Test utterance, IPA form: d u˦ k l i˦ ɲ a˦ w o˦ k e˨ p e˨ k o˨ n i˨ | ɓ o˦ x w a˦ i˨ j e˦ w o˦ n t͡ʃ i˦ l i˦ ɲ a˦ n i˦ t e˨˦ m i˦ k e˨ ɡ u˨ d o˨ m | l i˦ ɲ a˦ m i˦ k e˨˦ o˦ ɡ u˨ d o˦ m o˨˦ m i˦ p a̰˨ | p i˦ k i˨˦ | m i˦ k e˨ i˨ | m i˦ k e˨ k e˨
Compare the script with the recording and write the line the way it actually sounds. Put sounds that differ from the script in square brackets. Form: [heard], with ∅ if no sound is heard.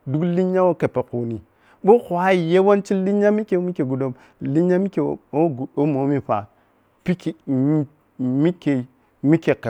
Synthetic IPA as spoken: d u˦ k l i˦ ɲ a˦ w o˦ k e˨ p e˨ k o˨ n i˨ | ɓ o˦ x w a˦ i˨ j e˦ w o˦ n t͡ʃ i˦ l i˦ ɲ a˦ [m] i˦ [k] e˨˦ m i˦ k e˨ ɡ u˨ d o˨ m | l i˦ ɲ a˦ m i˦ k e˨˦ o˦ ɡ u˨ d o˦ m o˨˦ m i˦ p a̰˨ | p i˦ k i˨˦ | m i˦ k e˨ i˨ | m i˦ k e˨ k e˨